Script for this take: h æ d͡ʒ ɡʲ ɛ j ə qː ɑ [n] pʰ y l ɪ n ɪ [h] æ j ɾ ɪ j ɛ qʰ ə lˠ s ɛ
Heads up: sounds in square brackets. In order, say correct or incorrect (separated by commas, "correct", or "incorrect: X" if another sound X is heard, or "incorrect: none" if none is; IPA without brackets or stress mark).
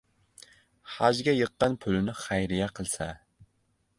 correct, incorrect: χ